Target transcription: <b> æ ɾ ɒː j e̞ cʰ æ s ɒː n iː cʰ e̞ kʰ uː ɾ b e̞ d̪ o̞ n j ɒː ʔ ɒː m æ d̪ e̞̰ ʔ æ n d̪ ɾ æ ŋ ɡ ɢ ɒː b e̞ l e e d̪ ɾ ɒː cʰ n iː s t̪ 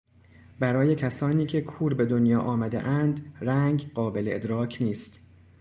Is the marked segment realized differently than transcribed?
no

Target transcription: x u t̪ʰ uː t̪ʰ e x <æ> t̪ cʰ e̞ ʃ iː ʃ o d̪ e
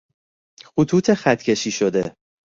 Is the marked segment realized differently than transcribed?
no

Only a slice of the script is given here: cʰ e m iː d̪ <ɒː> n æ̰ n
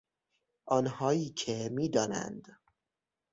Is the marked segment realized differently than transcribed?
no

